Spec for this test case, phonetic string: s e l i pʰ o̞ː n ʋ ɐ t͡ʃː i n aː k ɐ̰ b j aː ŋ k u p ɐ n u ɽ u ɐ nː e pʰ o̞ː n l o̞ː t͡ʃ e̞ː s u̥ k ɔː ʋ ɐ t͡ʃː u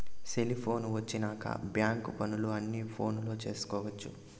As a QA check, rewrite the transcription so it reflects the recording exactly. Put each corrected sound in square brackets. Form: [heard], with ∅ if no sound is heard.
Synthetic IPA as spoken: s e l i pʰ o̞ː n ʋ ɐ t͡ʃː i n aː k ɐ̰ b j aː ŋ k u p ɐ n u [l] u ɐ nː [i] pʰ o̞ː n l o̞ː t͡ʃ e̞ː s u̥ k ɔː ʋ ɐ t͡ʃː u